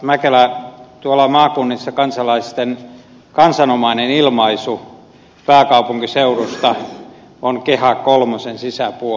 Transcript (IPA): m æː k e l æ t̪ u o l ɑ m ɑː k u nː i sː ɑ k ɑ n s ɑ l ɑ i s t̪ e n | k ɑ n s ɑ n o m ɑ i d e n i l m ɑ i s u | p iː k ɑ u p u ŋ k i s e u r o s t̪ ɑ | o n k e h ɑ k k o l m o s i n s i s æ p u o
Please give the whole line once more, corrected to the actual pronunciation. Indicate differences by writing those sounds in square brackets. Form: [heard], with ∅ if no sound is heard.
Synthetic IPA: m [æ] k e l æ t̪ u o l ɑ m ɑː k u nː i sː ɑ k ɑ n s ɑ l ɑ i s t̪ e n | k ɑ n s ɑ n o m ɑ i [n] e n i l m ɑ i s u | p [æː] k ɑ u p u ŋ k i s e u r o s t̪ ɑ | o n k e h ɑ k k o l m o s [e] n s i s æ p u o